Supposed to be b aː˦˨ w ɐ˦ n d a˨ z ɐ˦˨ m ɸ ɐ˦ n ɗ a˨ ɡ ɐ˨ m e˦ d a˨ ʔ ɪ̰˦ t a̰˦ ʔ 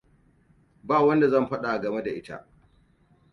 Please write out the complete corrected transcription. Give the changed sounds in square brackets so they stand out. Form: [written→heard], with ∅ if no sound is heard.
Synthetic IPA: b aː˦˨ w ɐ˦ n d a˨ z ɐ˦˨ m ɸ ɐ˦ [n→∅] ɗ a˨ ɡ ɐ˨ m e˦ d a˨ ʔ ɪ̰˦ t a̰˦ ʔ

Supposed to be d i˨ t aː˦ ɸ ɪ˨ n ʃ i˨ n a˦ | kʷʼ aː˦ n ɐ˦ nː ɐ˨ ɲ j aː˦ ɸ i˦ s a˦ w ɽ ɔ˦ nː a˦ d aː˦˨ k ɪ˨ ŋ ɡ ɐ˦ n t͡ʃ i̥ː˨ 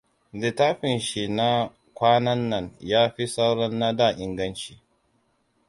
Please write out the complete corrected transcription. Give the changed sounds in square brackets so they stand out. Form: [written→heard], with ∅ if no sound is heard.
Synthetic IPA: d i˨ t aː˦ ɸ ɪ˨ n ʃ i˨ n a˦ | [kʷʼ→kʷ] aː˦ n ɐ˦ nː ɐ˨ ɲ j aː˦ ɸ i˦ s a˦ w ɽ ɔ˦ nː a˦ d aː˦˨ [k→ʔ] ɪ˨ ŋ ɡ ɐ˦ n t͡ʃ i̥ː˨

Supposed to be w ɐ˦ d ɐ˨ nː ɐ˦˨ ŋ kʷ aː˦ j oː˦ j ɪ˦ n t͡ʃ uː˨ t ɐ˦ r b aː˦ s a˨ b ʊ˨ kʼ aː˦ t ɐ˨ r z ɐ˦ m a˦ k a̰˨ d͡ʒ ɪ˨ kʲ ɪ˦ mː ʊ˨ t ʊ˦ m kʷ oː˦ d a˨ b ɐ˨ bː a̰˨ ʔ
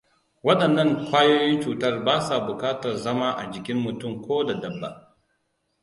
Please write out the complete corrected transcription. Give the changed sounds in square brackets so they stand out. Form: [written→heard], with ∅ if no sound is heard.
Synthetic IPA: w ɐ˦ [d→ɗ] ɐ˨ nː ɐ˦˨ ŋ kʷ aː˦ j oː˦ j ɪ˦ n t͡ʃ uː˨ t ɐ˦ r b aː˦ s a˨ b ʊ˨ [kʼ→k] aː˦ t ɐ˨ r z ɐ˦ m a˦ [k→ʔ] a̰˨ d͡ʒ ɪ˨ kʲ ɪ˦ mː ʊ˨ t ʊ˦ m kʷ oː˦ d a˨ [b→d] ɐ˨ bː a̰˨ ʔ

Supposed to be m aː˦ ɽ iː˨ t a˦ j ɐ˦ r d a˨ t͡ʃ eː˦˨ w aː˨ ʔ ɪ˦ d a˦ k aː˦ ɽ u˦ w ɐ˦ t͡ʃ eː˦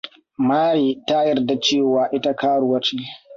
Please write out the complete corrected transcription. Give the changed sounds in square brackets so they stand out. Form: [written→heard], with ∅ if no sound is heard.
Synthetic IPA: m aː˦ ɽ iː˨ t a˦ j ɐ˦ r d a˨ t͡ʃ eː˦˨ w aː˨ ʔ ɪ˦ [d→t] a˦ k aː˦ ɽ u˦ w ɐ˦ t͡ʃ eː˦

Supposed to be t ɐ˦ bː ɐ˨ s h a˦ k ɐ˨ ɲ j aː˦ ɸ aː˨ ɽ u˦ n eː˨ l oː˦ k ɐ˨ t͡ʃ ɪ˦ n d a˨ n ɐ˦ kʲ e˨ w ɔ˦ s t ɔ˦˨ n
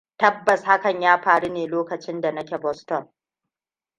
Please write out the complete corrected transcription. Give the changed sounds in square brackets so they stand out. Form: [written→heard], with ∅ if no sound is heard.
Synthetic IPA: t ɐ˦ bː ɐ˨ s h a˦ k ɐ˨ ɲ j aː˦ ɸ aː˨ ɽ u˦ n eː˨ l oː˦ k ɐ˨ t͡ʃ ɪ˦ n d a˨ n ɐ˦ kʲ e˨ [w→b] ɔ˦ s t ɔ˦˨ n

